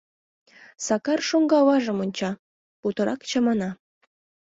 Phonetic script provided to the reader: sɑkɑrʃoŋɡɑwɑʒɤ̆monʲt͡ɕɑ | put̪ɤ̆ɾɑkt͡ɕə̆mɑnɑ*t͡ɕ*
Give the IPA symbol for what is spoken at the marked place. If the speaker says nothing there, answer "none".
none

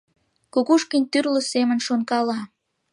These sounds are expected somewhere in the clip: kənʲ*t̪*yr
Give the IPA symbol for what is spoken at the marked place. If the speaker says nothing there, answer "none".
t̪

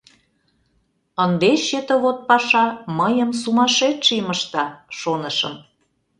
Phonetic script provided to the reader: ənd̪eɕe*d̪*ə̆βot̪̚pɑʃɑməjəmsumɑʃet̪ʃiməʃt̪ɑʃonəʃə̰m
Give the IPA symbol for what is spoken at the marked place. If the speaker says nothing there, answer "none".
t̪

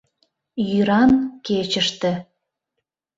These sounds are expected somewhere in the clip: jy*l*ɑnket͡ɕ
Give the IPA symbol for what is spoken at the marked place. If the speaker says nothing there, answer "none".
ɾ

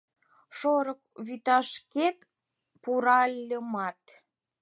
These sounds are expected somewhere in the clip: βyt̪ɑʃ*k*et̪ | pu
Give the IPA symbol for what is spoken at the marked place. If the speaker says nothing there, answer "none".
k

